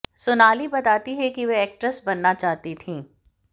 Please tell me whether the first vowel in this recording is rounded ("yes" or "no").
yes